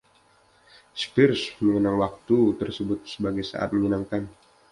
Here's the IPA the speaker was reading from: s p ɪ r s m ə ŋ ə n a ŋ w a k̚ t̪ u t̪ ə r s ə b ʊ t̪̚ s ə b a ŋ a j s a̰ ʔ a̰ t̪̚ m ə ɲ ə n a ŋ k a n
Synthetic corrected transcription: s p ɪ r s m ə ŋ ə n a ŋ w a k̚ t̪ u t̪ ə r s ə b ʊ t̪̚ s ə b a ɡ a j s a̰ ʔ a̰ t̪̚ m ə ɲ ə n a ŋ k a n